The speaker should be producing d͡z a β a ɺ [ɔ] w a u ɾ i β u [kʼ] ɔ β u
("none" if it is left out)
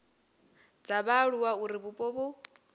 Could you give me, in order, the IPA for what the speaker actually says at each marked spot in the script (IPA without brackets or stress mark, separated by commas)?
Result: u, pʼ